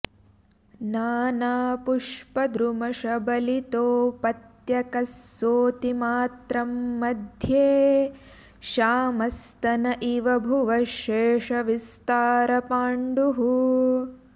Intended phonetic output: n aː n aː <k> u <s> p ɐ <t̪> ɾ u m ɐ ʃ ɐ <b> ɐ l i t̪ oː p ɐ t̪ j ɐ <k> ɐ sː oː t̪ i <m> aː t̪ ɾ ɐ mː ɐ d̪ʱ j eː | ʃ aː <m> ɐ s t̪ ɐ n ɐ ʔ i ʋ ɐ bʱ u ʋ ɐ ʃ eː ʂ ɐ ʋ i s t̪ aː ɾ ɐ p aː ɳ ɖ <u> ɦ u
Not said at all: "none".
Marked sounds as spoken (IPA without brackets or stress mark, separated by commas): p, ʂ, d̪, b, k, m, m, u